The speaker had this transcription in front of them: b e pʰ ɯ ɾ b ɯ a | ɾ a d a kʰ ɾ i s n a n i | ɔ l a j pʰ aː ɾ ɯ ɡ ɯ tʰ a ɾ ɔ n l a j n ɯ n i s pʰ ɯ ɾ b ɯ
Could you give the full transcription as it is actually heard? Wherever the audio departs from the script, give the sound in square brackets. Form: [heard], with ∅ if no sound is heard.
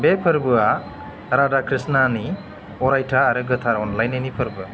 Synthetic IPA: b e pʰ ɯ ɾ b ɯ a | ɾ a d a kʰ ɾ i s n a n i | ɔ [ɾ] a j [tʰ] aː ɾ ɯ ɡ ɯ tʰ a ɾ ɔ n l a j n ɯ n i [∅] pʰ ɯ ɾ b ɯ